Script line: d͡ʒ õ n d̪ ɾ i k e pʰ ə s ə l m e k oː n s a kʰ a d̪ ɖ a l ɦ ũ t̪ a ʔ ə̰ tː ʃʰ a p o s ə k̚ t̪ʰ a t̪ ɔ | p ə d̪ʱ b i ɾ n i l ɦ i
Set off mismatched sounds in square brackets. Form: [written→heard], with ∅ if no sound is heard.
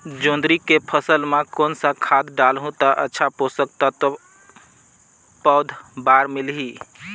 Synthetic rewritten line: d͡ʒ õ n d̪ ɾ i k e pʰ ə s ə l m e k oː n s a kʰ a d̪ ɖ a l ɦ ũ t̪ a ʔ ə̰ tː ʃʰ a p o s ə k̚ [t̪ʰ→t̪] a t̪ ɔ | p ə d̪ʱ b [i→a] ɾ [n→m] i l ɦ i